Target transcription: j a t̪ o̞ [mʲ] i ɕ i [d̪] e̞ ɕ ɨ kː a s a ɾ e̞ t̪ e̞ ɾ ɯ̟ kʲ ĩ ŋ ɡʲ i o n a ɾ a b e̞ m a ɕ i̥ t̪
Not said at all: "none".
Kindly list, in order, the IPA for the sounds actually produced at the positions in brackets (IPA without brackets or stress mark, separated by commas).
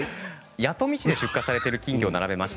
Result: mʲ, d̪